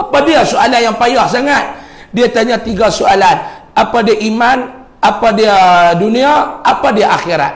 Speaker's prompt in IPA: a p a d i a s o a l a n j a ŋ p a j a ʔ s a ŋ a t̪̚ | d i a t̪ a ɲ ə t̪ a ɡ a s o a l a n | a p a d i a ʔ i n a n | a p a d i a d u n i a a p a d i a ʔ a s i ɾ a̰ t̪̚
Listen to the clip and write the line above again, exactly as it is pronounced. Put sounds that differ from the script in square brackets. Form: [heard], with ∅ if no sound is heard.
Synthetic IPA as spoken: a p a d i a s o a l a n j a ŋ p a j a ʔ s a ŋ a t̪̚ | d i a t̪ a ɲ [a] t̪ [i] ɡ a s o a l a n | a p a d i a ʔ i [m] a n | a p a d i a d u n i a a p a d i a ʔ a [x] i ɾ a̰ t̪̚